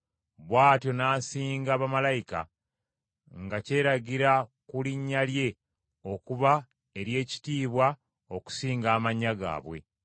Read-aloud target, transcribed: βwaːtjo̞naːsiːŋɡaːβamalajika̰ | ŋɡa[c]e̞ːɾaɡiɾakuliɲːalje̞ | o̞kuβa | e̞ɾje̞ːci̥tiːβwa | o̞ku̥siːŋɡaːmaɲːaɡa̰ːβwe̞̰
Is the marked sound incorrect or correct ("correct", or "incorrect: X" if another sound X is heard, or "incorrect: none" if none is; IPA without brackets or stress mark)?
correct